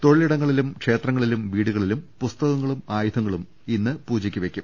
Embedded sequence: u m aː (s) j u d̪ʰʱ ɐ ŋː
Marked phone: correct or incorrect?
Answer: incorrect